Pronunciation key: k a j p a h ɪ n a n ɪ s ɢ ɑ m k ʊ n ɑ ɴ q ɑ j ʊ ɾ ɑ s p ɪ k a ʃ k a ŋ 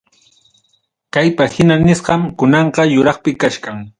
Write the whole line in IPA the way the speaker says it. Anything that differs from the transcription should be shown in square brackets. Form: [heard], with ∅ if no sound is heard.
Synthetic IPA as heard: k a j p a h ɪ n a n ɪ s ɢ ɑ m k ʊ n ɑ ɴ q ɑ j ʊ ɾ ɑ [χ] p ɪ k a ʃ k a ŋ

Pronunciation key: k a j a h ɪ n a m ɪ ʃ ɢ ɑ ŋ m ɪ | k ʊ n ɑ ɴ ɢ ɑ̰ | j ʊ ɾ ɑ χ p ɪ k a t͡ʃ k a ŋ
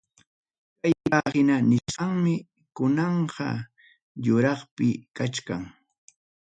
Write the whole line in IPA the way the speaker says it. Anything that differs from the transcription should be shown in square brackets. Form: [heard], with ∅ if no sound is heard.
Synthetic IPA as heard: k a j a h ɪ n a [n] ɪ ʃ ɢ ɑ ŋ m ɪ | k ʊ n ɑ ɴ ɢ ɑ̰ | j ʊ ɾ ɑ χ p ɪ k a t͡ʃ k a ŋ

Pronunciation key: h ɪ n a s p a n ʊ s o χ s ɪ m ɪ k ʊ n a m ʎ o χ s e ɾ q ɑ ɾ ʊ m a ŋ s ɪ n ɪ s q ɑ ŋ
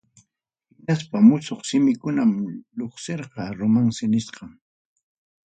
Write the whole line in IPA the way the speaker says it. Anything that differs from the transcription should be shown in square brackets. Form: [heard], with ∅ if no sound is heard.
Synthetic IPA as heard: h ɪ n a s p a [m] ʊ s o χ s ɪ m ɪ k ʊ n a m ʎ o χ s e ɾ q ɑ ɾ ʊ m a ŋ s ɪ n ɪ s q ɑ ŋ

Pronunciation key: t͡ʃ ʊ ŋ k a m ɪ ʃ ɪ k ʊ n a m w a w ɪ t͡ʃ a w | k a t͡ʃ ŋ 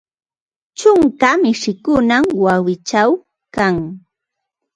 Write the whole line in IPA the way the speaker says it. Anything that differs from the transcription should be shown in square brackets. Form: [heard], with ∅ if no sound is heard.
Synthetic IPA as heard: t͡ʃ ʊ ŋ k a m ɪ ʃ ɪ k ʊ n a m w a w ɪ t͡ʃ a w | k a [∅] ŋ

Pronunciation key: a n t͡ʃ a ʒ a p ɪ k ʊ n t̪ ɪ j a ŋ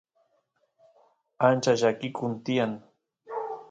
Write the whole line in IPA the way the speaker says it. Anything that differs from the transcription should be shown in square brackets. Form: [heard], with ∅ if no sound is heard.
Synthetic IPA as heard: a n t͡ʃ a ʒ a [k] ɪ k ʊ n t̪ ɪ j a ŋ

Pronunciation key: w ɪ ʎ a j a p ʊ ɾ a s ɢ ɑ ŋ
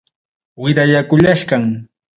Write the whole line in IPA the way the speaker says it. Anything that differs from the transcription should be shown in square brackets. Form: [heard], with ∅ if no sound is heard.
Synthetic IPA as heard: w ɪ [ɾ] a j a [k] ʊ [ʎ] a [ʃ] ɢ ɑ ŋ

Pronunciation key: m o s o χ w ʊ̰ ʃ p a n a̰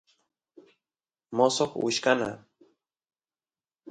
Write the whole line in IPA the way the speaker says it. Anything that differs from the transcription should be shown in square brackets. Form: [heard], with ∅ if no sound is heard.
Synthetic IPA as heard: m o s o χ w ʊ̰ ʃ [k] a n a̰

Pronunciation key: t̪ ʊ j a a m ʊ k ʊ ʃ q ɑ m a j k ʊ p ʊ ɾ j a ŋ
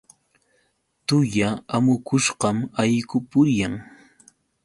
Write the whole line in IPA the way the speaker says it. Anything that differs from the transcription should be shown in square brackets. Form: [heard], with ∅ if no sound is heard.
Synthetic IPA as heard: t̪ ʊ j a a m ʊ k ʊ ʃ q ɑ m a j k ʊ p ʊ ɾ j a ŋ

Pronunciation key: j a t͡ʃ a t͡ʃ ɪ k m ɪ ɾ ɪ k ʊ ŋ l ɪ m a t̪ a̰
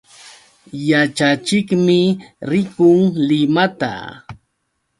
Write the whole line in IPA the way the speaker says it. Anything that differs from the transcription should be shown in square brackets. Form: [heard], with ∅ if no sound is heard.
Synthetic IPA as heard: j a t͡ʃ a t͡ʃ ɪ k m ɪ ɾ ɪ k ʊ ŋ l ɪ m a t̪ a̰

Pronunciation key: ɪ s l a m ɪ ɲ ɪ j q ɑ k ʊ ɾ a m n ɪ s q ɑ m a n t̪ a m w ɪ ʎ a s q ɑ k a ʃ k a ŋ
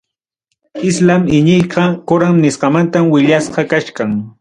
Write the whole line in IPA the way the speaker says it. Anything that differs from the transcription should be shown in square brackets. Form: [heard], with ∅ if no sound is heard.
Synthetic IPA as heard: ɪ s l a m ɪ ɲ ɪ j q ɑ k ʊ ɾ a m n ɪ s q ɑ m a n t̪ a m w ɪ ʎ a s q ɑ k a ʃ k a ŋ

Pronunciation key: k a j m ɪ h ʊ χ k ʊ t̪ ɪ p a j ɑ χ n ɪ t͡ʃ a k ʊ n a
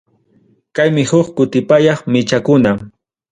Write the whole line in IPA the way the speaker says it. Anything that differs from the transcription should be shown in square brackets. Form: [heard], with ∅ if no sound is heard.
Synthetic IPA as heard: k a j m ɪ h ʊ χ k ʊ t̪ ɪ p a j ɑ χ [m] ɪ t͡ʃ a k ʊ n a

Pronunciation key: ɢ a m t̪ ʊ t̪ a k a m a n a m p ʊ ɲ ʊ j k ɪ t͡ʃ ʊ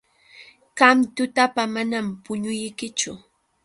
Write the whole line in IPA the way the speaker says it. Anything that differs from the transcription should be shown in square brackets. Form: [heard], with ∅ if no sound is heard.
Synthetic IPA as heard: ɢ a m t̪ ʊ t̪ a [p] a m a n a m p ʊ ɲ ʊ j k ɪ t͡ʃ ʊ

